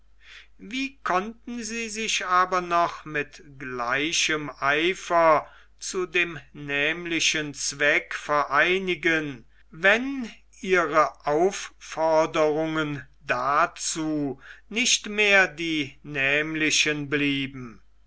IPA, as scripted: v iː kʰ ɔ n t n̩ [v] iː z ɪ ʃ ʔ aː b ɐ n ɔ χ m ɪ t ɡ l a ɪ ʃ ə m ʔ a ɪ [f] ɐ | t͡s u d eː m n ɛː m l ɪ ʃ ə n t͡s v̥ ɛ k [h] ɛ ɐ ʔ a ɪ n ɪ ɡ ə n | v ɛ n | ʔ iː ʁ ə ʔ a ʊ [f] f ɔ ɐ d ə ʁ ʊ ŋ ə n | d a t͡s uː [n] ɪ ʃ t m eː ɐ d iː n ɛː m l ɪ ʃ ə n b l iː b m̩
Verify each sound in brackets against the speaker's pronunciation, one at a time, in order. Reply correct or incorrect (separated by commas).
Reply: incorrect, correct, incorrect, correct, correct